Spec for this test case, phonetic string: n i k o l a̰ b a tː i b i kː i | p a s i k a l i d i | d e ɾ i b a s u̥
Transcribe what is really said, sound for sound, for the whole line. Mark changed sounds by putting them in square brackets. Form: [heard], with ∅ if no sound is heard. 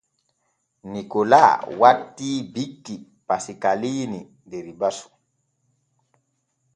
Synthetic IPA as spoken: n i k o l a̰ [w] a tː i b i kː i | p a s i k a l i [n] i | d e ɾ i b a s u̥

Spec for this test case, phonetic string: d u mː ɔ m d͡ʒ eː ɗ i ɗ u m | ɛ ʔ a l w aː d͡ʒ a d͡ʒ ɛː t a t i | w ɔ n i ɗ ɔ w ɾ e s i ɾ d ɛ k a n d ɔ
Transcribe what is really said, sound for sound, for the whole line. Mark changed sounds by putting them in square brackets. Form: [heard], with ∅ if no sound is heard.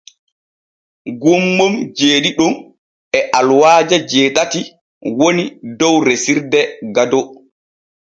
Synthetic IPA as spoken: [ɡ] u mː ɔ m d͡ʒ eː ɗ i ɗ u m | ɛ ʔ a l w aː d͡ʒ a d͡ʒ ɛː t a t i | w [o] n i [d] ɔ w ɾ e s i ɾ d ɛ [ɡ] a [∅] d ɔ

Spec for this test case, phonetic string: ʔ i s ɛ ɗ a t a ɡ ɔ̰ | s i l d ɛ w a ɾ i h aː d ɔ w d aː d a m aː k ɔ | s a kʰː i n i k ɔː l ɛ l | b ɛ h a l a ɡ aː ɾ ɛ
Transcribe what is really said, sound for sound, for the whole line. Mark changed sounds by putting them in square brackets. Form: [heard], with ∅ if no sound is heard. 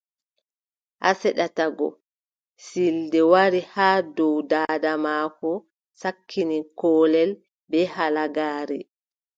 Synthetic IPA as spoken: ʔ [a] s ɛ ɗ a t a ɡ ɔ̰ | s i l d ɛ w a ɾ i h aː d ɔ w d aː d a m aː k ɔ | s a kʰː i n i k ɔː l ɛ l | b ɛ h a l a ɡ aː ɾ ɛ

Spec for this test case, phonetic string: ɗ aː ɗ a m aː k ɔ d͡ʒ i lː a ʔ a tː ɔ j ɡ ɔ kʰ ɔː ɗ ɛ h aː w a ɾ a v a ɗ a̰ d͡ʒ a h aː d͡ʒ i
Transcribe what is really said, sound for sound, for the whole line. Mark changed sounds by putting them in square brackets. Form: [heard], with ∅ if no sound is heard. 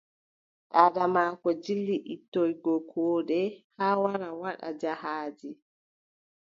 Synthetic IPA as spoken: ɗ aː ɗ a m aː k ɔ d͡ʒ i lː [i] ʔ [i] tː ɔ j ɡ ɔ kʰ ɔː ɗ ɛ h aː w a ɾ a [w] a ɗ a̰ d͡ʒ a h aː d͡ʒ i

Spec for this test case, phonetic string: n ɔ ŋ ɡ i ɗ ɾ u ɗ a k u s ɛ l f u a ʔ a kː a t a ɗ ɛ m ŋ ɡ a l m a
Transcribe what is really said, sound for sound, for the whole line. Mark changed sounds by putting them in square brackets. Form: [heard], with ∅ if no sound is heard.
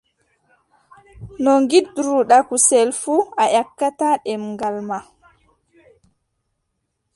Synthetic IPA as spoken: n ɔ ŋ ɡ i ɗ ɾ u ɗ a k u s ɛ l f u a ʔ a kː a t a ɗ ɛ m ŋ ɡ a l m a

